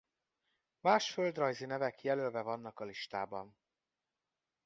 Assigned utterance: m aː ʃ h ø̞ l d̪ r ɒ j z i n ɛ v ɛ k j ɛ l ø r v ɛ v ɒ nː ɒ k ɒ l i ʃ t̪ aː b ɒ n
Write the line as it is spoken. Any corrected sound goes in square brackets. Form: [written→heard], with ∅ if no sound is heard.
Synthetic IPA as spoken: m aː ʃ [h→f] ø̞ l d̪ r ɒ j z i n ɛ v ɛ k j ɛ l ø [r→l] v ɛ v ɒ nː ɒ k ɒ l i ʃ t̪ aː b ɒ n